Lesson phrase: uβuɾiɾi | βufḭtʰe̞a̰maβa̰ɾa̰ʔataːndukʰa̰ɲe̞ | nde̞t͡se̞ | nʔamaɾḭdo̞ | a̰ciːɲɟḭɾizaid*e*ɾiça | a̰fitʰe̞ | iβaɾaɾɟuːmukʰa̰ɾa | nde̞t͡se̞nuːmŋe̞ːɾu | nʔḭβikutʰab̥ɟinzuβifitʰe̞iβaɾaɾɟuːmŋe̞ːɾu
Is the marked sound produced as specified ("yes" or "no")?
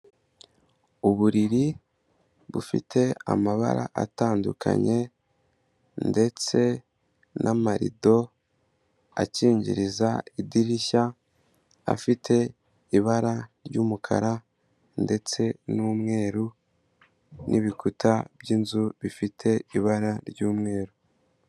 no